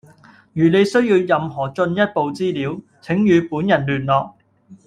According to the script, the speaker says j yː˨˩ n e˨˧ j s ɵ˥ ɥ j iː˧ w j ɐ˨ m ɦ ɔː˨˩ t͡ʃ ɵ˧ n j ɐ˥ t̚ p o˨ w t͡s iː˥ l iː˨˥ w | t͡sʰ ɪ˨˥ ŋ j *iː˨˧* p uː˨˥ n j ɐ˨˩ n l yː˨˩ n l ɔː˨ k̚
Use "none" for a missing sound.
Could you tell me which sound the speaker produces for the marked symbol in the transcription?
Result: yː˨˧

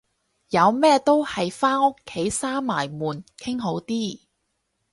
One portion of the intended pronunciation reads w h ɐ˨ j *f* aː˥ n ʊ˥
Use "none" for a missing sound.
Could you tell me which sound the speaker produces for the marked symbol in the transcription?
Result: f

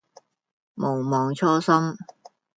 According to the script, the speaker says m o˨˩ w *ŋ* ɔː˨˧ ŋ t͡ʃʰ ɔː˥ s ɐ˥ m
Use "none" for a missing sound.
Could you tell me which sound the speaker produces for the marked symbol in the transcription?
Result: m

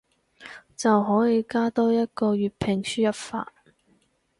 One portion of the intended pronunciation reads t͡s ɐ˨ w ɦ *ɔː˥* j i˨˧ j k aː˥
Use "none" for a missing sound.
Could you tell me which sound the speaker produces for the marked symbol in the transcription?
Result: ɔː˨˥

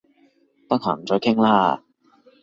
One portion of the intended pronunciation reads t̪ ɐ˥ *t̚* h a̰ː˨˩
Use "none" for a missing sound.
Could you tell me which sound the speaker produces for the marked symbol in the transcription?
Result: k̚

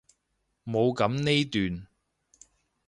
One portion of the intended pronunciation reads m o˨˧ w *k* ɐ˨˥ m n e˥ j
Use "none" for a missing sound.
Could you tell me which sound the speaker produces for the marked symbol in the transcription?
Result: k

